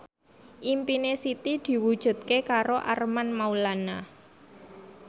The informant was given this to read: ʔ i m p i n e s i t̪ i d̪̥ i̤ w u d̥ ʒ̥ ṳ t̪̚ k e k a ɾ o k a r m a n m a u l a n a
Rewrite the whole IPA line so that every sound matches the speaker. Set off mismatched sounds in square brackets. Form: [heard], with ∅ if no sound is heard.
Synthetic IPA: ʔ i m p i n e s i t̪ i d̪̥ i̤ w u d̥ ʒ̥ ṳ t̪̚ k e k a ɾ o [ʔ] a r m a n m a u l a n a